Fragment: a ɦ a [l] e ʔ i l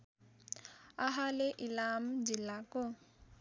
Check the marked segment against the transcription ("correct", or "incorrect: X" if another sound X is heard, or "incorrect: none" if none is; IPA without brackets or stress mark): correct